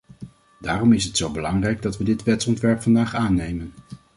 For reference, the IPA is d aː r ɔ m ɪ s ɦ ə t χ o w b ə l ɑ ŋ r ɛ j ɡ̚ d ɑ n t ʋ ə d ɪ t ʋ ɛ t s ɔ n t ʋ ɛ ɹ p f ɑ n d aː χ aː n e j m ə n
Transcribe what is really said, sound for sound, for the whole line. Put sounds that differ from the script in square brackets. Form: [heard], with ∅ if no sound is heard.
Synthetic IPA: d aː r ɔ m ɪ s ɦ ə t [s] o w b ə l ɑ ŋ r ɛ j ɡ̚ d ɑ [∅] t ʋ ə d ɪ t ʋ ɛ t s ɔ n t ʋ ɛ ɹ p f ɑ n d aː χ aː n e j m ə n